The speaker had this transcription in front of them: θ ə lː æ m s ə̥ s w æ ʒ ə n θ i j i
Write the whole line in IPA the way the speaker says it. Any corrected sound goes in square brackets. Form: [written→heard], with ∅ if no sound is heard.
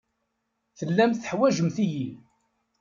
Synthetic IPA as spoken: θ ə lː æ m [s→θ] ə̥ [s→ħ] w æ ʒ ə [n→m] θ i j i